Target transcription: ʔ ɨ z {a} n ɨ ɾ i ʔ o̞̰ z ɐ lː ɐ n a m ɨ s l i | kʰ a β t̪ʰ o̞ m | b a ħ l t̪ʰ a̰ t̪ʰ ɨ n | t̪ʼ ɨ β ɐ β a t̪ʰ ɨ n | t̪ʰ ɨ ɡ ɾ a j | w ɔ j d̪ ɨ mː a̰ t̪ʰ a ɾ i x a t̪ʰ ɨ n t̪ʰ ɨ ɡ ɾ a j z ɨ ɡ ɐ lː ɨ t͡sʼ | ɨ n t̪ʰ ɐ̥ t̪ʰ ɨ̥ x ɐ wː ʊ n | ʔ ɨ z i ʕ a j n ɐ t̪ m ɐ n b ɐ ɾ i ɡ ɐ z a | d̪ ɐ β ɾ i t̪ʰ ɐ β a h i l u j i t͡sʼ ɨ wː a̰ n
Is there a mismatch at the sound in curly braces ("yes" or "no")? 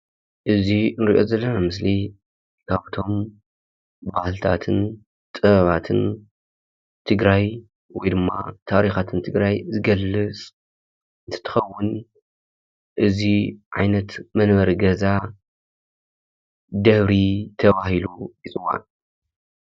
yes